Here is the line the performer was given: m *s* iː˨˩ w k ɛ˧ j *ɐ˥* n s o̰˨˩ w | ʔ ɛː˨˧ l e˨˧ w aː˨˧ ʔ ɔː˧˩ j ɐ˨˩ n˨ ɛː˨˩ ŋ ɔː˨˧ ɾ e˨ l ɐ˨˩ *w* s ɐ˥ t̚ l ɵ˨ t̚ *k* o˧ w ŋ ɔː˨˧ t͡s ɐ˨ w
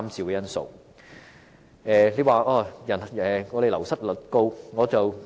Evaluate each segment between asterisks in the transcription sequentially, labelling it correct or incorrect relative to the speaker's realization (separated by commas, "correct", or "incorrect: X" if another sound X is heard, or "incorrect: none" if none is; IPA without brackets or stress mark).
incorrect: t͡s, correct, correct, correct